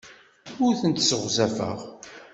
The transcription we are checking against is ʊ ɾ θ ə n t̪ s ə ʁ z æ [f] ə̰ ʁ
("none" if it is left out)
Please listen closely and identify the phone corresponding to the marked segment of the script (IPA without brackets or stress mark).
f